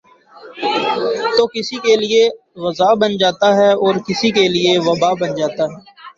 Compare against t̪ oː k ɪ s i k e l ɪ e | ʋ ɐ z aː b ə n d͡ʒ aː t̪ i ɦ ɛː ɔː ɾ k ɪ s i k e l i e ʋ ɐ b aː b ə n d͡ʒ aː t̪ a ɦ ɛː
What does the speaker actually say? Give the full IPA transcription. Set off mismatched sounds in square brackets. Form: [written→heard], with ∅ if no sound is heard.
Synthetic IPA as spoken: t̪ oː k ɪ s i k e l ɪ e | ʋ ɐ z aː b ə n d͡ʒ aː t̪ [i→a] ɦ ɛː ɔː ɾ k ɪ s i k e l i e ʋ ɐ b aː b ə n d͡ʒ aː t̪ a ɦ ɛː